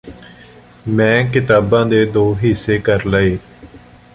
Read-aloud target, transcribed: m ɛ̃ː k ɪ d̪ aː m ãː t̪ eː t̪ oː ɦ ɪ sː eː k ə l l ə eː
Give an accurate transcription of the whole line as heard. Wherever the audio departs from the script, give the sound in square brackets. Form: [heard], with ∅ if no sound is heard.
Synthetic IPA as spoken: m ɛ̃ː k ɪ [t̪] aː [b] ãː [d̪] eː [d̪] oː ɦ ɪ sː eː k ə [ɾ] l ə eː

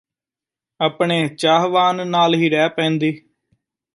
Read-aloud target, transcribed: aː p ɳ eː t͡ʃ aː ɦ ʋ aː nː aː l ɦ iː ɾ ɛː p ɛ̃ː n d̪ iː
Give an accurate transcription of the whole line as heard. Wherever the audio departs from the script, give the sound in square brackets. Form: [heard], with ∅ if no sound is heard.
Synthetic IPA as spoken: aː p ɳ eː t͡ʃ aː ɦ ʋ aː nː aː l ɦ iː ɾ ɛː p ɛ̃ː n d̪ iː

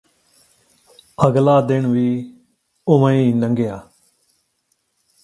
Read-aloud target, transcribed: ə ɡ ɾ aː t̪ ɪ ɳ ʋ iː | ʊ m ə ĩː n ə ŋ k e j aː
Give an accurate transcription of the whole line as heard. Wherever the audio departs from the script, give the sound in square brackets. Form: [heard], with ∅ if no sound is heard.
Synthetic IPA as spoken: ə ɡ [l] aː [d̪] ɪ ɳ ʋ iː | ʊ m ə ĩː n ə ŋ [ɡ] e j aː

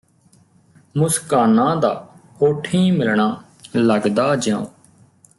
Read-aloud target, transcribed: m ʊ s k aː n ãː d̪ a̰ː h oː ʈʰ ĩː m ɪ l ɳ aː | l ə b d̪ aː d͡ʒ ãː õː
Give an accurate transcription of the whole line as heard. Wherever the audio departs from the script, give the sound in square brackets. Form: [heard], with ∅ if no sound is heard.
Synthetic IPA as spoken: m ʊ s k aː n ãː d̪ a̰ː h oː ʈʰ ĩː m ɪ l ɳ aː | l ə [ɡ] d̪ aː d͡ʒ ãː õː

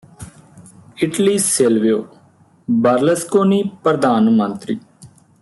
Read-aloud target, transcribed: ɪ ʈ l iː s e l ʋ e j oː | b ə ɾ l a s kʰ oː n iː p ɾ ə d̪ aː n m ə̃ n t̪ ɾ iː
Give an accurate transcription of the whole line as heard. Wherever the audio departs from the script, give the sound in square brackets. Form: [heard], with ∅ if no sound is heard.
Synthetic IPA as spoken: ɪ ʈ l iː s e l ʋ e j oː | b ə ɾ l [ə] s [k] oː n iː p ɾ ə d̪ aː n m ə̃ n t̪ ɾ iː

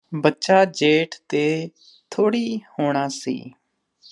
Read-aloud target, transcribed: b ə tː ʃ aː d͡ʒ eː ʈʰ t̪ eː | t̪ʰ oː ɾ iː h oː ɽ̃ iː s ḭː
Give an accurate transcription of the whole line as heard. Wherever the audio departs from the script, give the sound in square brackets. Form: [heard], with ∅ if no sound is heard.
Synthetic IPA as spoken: b ə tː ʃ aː d͡ʒ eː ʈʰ t̪ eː | t̪ʰ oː [ɽ] iː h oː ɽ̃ [aː] s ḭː

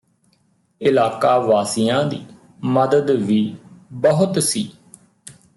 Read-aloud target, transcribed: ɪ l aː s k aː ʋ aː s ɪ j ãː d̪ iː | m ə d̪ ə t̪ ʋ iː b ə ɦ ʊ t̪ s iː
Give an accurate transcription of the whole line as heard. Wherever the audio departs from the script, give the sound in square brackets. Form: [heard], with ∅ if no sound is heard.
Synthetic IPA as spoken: ɪ l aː [∅] k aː ʋ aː s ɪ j ãː d̪ iː | m ə d̪ ə [d̪] ʋ iː b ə ɦ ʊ t̪ s iː

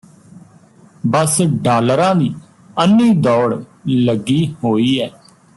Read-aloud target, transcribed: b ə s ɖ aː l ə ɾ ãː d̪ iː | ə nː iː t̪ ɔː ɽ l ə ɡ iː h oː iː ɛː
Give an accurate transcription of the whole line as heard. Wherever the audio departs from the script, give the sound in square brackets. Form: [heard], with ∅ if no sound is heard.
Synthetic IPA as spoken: b ə s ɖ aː l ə ɾ ãː d̪ iː | ə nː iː [d̪] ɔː ɽ l ə ɡ iː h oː iː ɛː

